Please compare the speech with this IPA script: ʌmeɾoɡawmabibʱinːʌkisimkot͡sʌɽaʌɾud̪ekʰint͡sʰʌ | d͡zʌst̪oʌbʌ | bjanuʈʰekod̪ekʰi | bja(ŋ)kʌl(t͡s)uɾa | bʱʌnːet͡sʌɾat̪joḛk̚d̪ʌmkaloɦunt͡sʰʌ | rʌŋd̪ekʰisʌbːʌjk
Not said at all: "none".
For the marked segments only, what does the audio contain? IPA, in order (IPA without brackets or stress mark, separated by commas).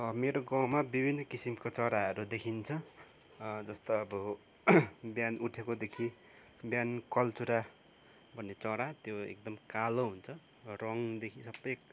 n, t͡s